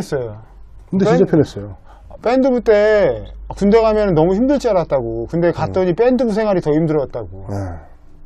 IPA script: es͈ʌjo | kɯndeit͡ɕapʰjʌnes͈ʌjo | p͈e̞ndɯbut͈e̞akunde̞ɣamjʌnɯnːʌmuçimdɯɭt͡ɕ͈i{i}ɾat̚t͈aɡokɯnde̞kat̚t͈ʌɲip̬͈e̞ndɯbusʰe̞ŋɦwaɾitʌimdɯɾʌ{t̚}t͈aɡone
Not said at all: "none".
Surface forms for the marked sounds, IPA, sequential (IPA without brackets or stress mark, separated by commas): a, t̚